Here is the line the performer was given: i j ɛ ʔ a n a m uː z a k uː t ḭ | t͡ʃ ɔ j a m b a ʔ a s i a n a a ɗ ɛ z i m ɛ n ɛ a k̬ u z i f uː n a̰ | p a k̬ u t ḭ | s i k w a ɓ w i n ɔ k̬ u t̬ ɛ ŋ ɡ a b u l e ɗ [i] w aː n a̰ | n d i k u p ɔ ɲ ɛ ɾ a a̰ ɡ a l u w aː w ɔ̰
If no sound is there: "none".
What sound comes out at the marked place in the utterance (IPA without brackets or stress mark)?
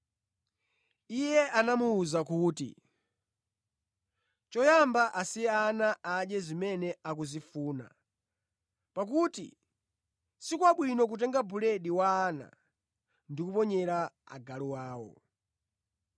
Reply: i